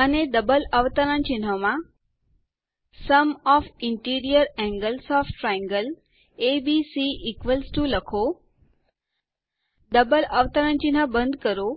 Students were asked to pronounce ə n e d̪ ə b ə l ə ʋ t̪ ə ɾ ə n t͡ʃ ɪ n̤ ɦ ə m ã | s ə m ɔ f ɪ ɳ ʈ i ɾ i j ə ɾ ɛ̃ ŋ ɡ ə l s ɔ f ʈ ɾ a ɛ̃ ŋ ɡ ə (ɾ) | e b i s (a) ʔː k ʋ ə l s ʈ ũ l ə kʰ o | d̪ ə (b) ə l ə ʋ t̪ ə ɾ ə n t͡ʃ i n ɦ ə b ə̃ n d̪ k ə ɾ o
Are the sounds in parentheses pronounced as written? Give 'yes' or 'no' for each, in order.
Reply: no, no, yes

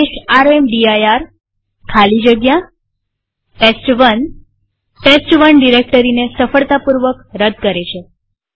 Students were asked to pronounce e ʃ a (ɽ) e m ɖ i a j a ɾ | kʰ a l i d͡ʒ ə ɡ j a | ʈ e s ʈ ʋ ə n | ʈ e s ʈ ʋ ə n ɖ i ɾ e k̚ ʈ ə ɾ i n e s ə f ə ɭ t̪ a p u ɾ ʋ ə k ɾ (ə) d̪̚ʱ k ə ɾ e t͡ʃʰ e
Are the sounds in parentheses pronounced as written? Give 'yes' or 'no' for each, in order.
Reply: no, yes

